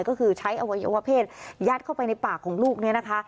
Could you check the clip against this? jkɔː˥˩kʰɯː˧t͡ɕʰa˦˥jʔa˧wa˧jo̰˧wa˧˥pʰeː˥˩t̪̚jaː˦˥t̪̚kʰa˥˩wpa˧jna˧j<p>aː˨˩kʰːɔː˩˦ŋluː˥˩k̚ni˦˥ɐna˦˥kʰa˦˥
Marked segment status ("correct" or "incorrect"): correct